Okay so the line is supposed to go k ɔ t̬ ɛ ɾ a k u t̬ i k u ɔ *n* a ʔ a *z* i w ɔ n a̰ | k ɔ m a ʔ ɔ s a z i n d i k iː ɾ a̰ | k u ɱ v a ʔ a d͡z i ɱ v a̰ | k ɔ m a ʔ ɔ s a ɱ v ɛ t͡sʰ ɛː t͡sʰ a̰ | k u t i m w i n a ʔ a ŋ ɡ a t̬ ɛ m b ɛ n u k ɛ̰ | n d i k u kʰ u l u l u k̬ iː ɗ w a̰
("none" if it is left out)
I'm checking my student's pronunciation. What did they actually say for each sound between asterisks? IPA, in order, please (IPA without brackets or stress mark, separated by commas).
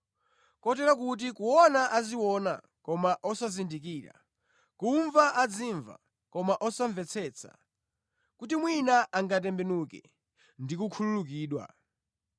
n, z